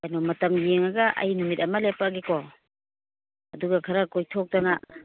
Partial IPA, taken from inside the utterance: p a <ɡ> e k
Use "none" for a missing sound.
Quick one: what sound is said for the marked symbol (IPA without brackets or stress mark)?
ɡ